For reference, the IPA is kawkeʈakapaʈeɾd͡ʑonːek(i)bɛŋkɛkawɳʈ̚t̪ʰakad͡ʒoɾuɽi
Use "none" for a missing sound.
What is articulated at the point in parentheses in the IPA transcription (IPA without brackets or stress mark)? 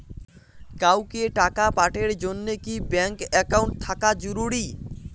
i